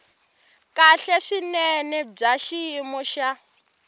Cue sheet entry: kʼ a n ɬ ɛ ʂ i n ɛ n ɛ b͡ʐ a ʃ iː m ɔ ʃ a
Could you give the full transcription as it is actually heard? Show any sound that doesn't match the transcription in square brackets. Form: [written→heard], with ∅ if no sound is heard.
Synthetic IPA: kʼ a [n→∅] ɬ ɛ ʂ i n ɛ n ɛ b͡ʐ a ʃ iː m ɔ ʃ a